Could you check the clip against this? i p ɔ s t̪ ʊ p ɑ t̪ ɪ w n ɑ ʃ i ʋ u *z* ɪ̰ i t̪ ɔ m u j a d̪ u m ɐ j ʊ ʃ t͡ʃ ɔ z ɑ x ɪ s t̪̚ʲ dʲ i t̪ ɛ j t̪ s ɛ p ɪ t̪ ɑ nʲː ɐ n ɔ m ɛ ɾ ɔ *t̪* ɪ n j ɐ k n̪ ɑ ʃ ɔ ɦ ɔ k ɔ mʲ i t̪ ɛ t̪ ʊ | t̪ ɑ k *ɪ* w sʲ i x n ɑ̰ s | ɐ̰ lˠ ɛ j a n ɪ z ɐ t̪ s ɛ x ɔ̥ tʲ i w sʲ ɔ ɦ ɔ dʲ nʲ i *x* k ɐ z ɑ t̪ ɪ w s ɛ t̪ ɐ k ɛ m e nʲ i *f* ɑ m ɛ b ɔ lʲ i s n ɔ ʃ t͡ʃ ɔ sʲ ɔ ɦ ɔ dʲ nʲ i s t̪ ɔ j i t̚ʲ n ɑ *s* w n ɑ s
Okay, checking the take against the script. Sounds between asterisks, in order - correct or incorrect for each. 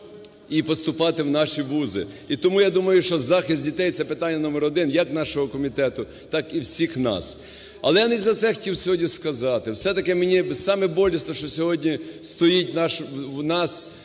correct, incorrect, incorrect, incorrect, incorrect, incorrect

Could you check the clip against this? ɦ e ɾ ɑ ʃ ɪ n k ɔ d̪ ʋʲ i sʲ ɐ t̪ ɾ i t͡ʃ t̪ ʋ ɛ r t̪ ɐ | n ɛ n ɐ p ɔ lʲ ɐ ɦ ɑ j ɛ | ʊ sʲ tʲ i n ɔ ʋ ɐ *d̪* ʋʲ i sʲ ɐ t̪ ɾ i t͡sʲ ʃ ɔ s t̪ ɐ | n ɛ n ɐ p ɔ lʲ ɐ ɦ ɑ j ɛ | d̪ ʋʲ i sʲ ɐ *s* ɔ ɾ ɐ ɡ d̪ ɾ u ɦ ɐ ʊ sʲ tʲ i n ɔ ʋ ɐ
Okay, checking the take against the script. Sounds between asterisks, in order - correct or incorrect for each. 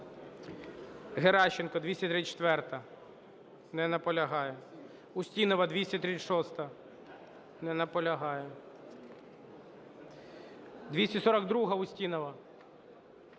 correct, correct

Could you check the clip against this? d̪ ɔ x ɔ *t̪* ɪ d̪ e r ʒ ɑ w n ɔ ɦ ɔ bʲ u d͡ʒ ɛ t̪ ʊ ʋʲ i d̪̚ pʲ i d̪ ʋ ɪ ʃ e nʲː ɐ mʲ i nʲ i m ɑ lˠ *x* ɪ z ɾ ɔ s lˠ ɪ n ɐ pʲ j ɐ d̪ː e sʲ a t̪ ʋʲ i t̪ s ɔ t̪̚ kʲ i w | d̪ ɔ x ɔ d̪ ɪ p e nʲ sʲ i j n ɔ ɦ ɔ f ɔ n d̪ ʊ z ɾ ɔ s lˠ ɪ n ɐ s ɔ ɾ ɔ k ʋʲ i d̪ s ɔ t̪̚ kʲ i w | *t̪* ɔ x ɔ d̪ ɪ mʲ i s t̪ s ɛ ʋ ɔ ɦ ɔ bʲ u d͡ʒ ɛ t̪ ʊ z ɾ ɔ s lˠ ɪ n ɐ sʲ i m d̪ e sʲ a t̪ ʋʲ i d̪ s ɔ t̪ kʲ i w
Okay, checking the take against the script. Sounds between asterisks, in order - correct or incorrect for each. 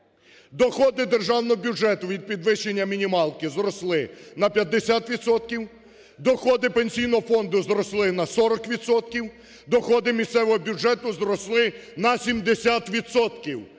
incorrect, incorrect, incorrect

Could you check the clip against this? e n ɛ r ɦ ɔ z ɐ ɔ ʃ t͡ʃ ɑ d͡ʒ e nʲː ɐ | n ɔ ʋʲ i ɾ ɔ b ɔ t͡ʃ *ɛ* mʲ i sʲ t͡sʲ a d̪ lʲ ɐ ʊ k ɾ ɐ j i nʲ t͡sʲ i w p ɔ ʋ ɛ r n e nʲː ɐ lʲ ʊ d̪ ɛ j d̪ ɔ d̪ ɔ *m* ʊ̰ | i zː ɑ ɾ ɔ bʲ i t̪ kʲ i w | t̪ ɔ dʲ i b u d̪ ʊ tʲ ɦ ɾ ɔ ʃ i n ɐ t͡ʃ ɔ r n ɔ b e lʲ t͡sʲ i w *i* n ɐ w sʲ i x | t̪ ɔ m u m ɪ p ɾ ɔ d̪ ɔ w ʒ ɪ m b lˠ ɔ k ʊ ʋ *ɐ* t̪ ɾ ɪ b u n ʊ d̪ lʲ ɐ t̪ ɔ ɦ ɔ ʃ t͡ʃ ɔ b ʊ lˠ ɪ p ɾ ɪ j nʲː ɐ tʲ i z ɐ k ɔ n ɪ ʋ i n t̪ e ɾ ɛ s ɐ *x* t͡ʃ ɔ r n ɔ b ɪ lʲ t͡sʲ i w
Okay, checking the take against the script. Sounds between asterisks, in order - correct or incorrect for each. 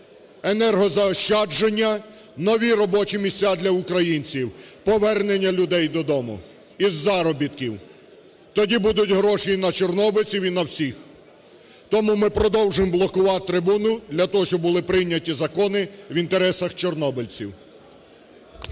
incorrect, correct, correct, incorrect, correct

